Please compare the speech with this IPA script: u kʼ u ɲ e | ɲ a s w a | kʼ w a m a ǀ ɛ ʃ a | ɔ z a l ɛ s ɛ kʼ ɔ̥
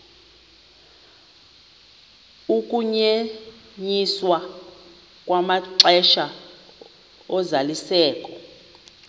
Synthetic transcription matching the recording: u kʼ u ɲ e | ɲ i s w a | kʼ w a m a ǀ ɛ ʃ a | ɔ z a l i s ɛː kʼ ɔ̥